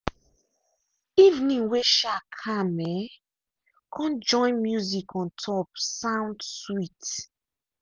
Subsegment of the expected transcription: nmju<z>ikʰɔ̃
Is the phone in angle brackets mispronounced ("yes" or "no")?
no